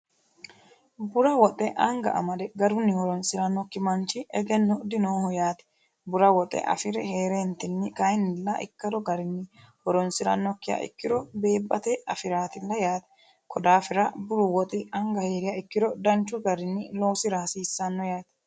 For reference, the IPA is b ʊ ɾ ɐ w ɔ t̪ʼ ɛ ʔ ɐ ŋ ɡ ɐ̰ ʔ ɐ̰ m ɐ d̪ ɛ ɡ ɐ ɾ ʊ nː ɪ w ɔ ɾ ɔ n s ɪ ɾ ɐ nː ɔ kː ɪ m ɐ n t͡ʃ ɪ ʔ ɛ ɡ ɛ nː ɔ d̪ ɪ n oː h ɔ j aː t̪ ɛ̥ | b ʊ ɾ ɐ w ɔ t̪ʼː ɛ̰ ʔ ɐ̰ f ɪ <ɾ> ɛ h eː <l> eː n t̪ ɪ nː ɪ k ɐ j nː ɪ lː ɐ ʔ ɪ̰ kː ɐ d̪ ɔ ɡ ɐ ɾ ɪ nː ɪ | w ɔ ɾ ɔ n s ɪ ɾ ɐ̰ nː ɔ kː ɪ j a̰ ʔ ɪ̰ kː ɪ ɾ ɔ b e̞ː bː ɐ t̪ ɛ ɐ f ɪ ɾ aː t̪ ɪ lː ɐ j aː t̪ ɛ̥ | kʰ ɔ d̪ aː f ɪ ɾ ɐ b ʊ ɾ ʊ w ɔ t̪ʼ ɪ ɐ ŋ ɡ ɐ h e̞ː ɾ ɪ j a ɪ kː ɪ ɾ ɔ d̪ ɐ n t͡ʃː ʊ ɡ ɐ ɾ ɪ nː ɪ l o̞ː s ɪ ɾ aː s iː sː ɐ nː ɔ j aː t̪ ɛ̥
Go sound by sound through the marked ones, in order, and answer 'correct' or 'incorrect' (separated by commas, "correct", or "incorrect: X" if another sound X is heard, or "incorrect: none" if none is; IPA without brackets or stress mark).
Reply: correct, incorrect: ɾ